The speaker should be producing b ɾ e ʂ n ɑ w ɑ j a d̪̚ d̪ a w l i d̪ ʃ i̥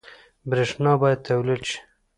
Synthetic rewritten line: b ɾ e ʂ n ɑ b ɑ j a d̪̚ t̪ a w l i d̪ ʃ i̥